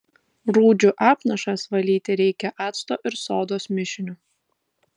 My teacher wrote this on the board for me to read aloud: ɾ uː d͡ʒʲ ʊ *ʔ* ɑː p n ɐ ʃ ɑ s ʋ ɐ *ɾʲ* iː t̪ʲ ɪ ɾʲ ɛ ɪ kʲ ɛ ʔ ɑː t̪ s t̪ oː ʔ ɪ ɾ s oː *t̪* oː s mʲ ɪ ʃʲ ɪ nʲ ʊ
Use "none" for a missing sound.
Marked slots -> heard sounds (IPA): ʔ, lʲ, d̪

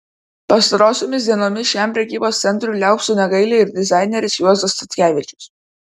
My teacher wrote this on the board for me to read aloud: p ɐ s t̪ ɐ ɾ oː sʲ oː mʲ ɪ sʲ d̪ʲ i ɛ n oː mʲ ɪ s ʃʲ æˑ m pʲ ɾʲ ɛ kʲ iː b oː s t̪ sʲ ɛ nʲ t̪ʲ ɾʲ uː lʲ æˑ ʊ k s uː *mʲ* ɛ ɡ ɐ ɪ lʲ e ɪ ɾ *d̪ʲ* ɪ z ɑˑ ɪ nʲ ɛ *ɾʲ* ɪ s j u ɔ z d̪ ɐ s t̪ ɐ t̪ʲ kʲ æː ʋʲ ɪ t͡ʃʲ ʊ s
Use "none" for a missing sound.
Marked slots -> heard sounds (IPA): nʲ, d̪ʲ, ɾʲ

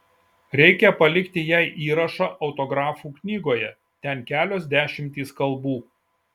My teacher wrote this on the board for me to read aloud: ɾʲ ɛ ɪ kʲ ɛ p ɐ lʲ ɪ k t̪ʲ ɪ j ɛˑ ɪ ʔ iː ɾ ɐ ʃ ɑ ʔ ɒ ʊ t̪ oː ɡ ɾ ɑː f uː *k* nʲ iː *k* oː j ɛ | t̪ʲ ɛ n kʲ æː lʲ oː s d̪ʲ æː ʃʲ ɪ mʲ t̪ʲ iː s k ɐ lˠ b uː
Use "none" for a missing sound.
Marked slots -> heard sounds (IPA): k, ɡ

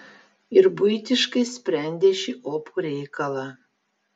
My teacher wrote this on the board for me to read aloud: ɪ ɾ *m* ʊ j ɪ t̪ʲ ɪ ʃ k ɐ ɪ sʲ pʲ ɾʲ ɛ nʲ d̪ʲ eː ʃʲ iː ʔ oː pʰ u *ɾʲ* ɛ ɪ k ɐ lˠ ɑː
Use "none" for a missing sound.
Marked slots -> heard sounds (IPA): b, ɾʲ

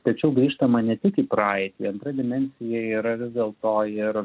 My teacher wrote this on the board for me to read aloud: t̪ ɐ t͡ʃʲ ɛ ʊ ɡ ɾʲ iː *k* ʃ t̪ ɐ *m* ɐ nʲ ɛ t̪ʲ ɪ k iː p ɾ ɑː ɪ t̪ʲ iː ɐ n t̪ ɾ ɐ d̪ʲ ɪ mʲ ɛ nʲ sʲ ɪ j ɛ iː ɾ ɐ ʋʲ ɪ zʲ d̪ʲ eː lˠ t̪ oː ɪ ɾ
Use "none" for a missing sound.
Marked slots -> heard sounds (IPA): none, m

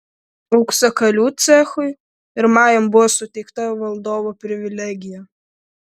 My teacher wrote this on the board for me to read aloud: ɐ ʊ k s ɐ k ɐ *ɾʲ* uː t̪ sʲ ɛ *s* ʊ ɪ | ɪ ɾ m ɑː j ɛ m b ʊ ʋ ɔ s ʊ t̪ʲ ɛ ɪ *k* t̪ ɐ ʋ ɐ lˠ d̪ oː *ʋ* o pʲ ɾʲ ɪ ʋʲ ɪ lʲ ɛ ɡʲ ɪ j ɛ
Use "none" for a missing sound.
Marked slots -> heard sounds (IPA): lʲ, x, k, ʋ

